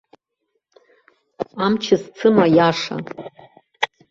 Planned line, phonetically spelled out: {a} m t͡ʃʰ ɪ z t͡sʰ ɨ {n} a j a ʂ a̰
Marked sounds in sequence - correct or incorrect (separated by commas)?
correct, incorrect